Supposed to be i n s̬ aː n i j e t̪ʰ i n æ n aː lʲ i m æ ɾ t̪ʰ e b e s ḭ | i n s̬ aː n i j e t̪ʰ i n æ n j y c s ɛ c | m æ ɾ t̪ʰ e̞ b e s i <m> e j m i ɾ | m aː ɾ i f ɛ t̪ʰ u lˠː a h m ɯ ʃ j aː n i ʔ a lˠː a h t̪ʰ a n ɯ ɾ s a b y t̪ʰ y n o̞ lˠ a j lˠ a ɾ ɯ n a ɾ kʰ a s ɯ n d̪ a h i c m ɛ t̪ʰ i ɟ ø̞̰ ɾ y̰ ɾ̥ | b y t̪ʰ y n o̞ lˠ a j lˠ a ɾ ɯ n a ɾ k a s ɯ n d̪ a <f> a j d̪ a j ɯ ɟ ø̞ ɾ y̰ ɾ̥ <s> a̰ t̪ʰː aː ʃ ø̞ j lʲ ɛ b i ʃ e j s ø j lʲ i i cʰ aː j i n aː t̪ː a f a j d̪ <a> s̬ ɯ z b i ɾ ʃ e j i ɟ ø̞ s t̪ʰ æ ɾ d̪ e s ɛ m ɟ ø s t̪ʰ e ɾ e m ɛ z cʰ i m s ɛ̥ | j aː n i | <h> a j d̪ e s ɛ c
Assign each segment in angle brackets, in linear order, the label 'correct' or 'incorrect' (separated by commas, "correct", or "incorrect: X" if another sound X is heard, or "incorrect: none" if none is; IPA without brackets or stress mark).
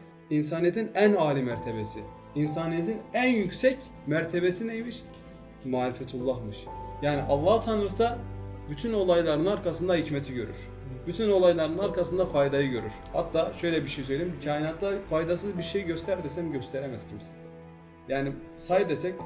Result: incorrect: n, correct, incorrect: h, correct, incorrect: s